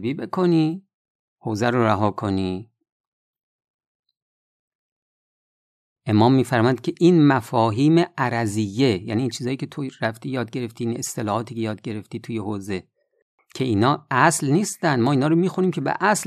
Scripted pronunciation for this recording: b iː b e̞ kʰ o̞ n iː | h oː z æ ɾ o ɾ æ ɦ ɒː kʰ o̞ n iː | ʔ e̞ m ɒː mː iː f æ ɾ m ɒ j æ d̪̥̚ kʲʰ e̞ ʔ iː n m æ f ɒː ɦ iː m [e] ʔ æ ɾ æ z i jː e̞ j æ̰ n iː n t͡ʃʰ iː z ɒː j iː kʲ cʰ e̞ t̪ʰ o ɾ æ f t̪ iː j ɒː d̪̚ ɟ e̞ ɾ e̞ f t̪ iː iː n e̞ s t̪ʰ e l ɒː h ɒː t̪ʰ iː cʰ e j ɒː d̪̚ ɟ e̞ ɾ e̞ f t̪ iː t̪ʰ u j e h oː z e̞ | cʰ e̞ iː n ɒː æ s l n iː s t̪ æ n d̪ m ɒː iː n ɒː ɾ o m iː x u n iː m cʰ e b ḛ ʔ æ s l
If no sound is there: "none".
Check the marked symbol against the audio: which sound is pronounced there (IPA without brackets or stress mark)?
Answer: e